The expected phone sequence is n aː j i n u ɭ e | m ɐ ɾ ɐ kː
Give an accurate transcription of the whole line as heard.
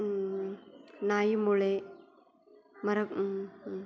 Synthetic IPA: n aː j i m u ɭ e | m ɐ ɾ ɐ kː